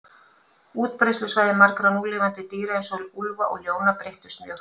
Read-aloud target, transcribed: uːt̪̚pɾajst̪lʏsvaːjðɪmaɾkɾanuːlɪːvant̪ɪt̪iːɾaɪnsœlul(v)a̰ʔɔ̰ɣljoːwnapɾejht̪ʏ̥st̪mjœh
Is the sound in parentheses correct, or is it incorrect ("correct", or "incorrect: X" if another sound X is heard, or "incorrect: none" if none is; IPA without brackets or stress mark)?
correct